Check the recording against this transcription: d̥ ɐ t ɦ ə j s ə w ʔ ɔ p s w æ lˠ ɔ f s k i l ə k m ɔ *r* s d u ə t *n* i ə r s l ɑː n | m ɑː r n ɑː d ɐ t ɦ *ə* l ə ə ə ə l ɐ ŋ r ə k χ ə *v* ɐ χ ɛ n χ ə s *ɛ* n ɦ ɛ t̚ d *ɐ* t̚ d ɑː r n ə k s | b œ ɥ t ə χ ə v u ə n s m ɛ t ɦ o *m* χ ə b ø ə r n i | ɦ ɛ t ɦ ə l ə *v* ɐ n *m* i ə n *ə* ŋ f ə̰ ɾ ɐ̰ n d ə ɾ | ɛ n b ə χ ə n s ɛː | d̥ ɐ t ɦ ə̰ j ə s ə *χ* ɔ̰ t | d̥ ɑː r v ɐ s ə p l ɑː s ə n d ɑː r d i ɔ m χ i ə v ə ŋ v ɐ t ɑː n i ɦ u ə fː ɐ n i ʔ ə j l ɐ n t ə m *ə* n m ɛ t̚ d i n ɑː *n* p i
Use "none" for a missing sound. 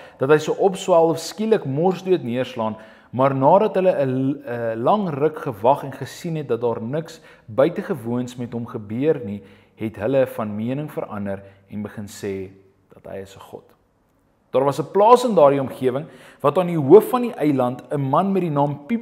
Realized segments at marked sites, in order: r, n, ə, v, i, ɐ, m, f, m, ə, χ, ɐ, m

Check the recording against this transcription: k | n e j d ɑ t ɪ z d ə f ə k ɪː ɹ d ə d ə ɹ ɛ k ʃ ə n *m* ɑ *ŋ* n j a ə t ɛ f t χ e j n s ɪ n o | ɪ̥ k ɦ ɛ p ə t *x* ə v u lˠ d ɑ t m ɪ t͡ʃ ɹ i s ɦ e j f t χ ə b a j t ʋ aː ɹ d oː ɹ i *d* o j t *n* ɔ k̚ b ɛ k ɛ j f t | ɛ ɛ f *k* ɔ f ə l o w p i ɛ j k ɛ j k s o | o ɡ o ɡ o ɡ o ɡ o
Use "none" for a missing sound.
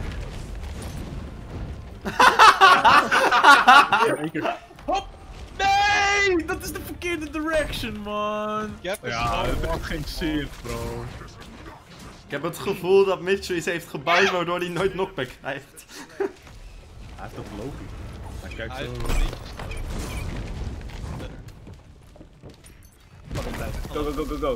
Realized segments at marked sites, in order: m, n, χ, n, n, t

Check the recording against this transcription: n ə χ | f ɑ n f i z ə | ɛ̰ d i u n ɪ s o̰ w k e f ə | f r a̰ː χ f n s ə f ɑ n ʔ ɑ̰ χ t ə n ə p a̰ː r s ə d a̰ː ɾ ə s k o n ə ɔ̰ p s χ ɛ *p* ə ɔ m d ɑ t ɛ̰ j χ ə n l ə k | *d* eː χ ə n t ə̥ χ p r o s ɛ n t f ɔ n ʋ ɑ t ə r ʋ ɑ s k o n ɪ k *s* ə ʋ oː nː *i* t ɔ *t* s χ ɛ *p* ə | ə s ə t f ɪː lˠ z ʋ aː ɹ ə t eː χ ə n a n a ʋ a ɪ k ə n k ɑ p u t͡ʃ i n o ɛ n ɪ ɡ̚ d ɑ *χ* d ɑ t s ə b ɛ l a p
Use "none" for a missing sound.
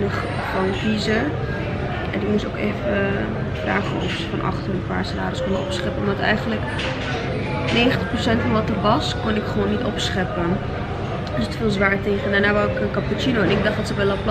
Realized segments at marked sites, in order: p, n, χ, i, p, p, χ

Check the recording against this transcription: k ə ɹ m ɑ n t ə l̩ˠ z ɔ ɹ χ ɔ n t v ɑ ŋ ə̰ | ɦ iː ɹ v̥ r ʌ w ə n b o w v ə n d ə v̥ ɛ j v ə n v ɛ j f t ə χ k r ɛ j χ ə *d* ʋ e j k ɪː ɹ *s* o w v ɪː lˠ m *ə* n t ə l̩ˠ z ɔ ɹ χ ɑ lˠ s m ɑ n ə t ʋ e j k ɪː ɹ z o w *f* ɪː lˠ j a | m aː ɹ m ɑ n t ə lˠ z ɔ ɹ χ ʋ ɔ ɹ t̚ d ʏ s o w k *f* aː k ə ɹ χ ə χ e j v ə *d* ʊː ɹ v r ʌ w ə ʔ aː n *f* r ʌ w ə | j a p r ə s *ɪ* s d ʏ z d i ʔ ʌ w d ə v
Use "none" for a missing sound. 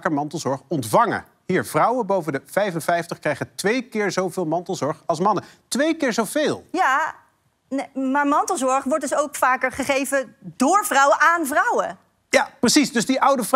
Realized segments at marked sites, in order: t, z, ɑ, v, f, d, v, i

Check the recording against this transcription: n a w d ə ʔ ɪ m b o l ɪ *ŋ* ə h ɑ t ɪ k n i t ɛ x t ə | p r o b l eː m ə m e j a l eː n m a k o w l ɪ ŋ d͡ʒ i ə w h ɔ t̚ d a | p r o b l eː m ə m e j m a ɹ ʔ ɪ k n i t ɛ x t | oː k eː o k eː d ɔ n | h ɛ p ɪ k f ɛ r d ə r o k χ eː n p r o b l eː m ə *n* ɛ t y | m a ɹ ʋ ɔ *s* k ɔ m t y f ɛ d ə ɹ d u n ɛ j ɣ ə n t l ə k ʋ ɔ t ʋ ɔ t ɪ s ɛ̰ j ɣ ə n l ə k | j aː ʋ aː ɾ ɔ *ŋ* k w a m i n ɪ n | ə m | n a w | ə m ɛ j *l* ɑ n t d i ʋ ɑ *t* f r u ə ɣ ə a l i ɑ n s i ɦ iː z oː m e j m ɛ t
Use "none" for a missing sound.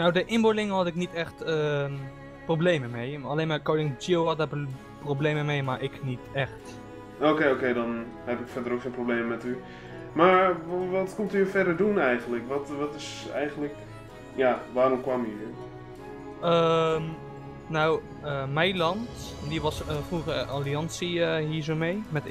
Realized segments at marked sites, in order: ŋ, m, t, m, l, s

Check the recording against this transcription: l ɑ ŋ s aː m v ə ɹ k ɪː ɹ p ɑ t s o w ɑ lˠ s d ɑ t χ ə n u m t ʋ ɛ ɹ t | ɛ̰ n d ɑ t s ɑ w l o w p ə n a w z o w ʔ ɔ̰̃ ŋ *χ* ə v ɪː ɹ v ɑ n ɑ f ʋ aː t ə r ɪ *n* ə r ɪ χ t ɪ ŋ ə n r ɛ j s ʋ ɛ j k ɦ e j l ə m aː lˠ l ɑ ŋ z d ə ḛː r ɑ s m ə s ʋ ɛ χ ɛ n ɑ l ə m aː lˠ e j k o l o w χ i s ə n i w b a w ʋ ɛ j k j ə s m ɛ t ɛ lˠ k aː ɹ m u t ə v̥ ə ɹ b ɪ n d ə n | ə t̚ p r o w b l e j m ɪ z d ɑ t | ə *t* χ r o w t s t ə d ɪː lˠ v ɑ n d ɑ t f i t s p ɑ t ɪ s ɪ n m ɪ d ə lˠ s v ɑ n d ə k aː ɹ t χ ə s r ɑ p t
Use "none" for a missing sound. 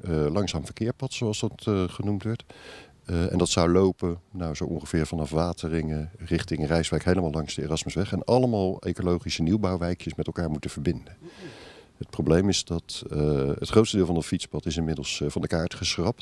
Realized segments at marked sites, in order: χ, ŋ, t

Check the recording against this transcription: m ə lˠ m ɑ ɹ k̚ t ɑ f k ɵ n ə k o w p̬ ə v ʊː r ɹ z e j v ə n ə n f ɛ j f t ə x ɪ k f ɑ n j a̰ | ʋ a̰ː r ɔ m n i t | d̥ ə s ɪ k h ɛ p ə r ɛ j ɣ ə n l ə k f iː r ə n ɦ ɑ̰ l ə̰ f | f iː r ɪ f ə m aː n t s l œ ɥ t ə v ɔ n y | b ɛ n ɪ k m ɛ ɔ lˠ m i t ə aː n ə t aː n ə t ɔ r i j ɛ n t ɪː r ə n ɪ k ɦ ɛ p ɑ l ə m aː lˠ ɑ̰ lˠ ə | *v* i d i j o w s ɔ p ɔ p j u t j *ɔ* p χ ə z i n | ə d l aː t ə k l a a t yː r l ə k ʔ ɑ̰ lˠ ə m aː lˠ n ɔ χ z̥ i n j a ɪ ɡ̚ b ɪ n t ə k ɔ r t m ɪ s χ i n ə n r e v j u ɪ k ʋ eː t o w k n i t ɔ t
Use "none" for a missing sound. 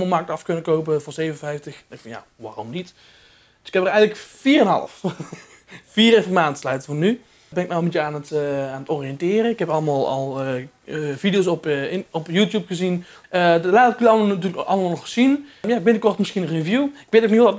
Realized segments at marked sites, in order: v, u

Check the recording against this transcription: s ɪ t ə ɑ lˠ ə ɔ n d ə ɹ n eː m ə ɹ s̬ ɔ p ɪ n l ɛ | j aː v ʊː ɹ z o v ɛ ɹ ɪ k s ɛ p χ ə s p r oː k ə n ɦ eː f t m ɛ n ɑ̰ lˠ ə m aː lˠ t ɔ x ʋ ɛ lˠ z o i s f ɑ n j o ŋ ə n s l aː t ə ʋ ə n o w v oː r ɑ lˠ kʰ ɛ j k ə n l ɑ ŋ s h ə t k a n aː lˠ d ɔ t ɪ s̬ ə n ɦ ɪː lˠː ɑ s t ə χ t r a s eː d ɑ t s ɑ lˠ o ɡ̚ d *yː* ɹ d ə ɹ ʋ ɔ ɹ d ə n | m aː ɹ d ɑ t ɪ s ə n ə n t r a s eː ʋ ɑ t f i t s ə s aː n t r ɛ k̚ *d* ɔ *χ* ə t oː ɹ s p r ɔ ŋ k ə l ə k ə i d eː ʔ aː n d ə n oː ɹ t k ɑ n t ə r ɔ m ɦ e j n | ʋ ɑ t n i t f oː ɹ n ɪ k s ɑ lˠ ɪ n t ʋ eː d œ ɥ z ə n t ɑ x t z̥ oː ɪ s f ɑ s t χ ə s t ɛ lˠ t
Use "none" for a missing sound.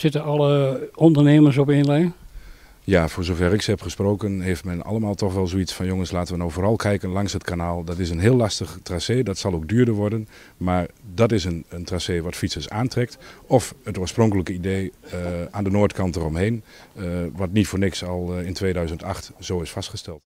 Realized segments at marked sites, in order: yː, t, f

